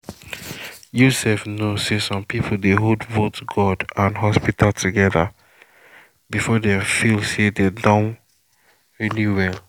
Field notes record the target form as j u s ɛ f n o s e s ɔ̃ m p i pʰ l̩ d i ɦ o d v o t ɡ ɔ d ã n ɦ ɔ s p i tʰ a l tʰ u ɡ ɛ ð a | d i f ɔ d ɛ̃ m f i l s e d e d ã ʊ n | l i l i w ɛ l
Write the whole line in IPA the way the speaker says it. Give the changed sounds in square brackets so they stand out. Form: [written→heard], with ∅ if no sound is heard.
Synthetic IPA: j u s ɛ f n o s e s ɔ̃ m p i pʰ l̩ d [i→e] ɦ o d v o t ɡ ɔ d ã n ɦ ɔ s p i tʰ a l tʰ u ɡ ɛ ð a | [d→b] i f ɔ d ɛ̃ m f i l s e d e d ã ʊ n | [l→ɹ] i l i w ɛ l